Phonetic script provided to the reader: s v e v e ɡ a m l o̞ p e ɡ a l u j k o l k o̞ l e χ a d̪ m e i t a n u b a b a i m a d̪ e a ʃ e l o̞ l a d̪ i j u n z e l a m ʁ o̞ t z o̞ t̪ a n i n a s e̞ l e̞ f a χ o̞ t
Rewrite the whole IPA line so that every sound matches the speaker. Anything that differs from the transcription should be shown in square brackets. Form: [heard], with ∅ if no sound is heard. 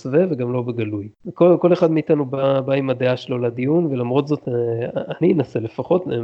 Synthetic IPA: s v e v e ɡ a m l o̞ [b] e ɡ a l u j k o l k o̞ l e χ a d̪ m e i t a n u b a b a i m a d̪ e a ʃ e l o̞ l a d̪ i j u n [v] e l a m ʁ o̞ t z o̞ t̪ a n i n a s e̞ l e̞ f a χ o̞ t